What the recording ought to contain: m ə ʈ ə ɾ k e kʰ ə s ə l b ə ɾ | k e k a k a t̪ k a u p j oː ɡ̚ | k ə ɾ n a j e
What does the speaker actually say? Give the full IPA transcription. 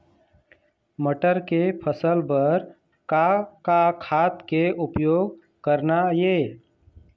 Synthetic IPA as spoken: m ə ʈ ə ɾ k e pʰ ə s ə l b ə ɾ | k a k a kʰ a t̪ k e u p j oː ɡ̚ | k ə ɾ n a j e